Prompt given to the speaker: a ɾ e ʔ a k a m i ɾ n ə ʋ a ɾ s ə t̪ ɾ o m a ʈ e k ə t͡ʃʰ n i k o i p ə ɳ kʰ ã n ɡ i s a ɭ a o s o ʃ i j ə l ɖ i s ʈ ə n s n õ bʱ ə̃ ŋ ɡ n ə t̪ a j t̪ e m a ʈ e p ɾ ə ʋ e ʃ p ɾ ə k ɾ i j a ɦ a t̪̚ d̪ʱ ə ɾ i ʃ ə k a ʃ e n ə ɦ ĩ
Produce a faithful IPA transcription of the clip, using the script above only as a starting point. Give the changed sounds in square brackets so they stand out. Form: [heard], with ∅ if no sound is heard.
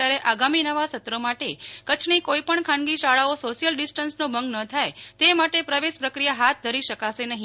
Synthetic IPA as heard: a ɾ e ʔ a [ɡ] a m i [∅] n ə ʋ a [∅] s ə t̪ ɾ o m a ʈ e k ə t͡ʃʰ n i k o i p ə ɳ kʰ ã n ɡ i [ʃ] a ɭ a o s o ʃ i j ə l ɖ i s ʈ ə n s n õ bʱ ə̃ ŋ ɡ n ə [t̪ʰ] a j t̪ e m a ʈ e p ɾ ə ʋ e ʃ p ɾ ə k ɾ i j a ɦ a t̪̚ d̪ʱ ə ɾ i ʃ ə k a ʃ e n ə ɦ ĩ